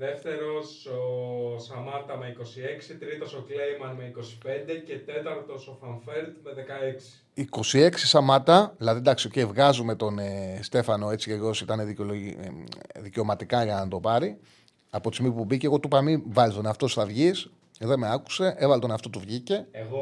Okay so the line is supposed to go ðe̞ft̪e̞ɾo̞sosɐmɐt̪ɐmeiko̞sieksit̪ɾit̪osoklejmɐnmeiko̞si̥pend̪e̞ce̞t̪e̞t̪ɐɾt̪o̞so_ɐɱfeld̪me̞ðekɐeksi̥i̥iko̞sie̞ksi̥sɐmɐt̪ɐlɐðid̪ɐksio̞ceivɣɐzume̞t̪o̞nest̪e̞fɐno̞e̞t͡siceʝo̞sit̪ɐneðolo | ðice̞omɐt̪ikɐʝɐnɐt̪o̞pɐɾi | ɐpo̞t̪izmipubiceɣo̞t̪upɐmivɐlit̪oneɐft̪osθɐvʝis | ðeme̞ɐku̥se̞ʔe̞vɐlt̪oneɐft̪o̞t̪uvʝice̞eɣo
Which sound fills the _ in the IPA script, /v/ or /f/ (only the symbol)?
f